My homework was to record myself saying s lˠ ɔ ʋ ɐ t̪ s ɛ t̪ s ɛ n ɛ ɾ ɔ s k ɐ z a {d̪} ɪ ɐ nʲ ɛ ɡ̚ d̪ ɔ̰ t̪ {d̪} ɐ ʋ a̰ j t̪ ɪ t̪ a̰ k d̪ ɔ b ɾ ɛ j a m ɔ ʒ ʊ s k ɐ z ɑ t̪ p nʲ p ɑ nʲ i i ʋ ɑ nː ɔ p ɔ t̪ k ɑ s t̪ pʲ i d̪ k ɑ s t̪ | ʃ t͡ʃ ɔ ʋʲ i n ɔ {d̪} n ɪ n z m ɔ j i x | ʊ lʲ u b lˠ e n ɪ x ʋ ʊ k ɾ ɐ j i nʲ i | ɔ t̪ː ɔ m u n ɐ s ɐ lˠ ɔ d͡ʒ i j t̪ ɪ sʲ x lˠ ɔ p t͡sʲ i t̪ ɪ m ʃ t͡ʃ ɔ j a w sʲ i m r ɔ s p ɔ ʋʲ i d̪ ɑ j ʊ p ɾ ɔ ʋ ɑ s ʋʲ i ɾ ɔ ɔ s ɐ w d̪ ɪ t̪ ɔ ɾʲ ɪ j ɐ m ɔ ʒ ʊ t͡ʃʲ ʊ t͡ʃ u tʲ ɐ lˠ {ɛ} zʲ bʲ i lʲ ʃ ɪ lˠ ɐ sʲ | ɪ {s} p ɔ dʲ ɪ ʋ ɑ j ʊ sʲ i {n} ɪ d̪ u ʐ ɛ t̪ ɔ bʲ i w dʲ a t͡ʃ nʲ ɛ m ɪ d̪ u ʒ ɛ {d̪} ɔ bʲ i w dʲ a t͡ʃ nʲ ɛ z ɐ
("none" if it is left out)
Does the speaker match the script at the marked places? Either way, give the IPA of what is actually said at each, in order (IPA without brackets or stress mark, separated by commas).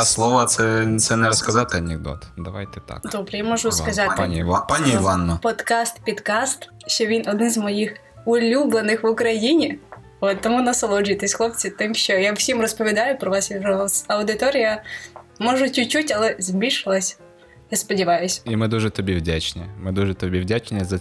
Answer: t̪, d̪, d̪, ɛ, s, m, t̪